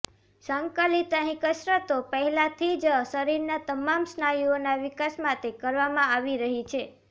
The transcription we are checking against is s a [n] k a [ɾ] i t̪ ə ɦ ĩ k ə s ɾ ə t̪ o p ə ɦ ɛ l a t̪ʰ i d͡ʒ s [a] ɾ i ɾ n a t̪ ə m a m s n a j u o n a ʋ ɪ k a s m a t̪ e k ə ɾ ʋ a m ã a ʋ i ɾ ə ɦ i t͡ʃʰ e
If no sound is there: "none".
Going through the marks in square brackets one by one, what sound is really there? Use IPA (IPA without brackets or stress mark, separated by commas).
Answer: ŋ, l, ə